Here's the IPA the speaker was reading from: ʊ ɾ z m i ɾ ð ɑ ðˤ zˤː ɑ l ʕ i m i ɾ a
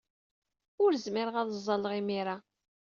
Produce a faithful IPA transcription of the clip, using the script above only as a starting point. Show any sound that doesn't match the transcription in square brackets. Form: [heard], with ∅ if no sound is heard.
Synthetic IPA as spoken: ʊ ɾ z m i ɾ [ʁ] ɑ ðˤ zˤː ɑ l [ʁ] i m i ɾ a